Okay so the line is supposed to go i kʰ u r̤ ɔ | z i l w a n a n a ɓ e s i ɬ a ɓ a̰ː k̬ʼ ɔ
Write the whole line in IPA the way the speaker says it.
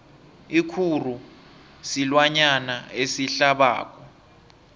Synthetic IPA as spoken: i kʰ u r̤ u | s i l w a ɲ a n a e s i ɬ a ɓ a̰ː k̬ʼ ɔ

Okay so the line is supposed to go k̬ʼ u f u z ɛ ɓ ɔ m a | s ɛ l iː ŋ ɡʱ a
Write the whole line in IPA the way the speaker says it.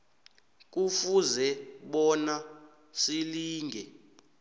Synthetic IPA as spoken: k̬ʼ u f u z ɛ ɓ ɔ n a | s i l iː ŋ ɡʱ ɛ

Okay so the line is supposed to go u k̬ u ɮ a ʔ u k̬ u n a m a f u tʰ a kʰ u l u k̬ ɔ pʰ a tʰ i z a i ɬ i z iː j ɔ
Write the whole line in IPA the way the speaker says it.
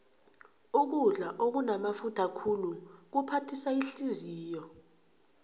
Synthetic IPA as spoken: u k̬ u ɮ a ʔ o k̬ u n a m a f u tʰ a kʰ u l u k̬ u pʰ a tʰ i s a i ɬ i z iː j ɔ

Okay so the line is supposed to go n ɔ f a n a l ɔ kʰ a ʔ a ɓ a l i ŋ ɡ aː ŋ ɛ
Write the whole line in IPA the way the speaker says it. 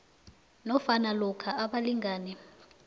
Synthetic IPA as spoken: n ɔ f a n a l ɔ kʰ a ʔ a ɓ a l i ŋ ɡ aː n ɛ

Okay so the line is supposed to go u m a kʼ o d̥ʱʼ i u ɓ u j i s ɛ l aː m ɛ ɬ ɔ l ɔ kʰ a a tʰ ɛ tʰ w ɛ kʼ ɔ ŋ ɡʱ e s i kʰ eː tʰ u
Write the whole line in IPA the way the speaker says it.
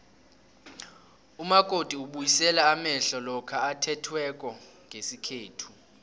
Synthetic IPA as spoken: u m a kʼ o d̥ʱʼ i u ɓ u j i s ɛ l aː m ɛ ɬ ɔ l ɔ kʰ a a tʰ ɛ tʰ w ɛ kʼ ɔ ŋ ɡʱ e s i kʰ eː tʰ u

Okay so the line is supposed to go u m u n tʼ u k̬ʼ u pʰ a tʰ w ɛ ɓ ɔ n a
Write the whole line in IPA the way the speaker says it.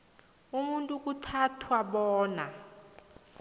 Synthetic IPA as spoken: u m u n tʼ u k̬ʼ u tʰ a tʰ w a ɓ ɔː n a

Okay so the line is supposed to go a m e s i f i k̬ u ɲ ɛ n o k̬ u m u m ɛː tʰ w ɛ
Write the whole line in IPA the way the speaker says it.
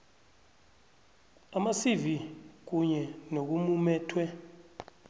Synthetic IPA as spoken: a m a s i v i k̬ u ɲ ɛ n o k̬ u m u m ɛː tʰ w ɛ

